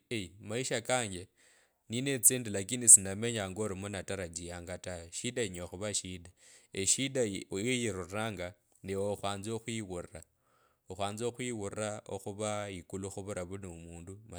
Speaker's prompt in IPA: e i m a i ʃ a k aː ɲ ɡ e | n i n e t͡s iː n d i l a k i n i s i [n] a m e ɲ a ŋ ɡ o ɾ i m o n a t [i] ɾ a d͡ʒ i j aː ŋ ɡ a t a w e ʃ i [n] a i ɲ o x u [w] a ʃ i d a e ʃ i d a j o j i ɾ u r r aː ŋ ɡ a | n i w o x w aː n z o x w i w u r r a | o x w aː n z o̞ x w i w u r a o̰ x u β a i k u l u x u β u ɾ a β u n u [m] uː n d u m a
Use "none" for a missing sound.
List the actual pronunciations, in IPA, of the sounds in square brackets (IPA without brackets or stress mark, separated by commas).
n, a, d, β, m